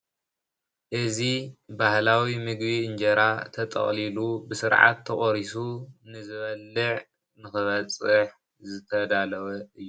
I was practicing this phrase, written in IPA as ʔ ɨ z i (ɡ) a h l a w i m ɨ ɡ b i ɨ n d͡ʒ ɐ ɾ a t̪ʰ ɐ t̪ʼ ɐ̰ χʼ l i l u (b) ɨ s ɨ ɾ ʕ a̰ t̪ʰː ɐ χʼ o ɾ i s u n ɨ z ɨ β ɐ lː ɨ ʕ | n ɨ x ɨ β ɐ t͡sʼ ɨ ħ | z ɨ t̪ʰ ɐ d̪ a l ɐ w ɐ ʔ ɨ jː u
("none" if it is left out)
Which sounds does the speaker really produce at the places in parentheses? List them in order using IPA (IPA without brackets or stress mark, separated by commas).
b, b